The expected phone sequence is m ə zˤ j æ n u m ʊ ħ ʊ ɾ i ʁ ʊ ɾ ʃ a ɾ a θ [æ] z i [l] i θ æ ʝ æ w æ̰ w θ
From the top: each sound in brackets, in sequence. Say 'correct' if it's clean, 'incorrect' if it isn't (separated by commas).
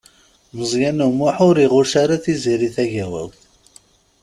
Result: incorrect, incorrect